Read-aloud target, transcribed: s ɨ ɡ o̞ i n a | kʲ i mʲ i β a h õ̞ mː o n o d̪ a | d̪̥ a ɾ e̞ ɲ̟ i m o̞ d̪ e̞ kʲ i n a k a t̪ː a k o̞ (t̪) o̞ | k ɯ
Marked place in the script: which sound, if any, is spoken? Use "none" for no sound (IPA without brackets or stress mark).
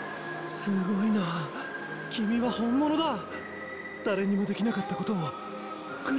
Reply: t̪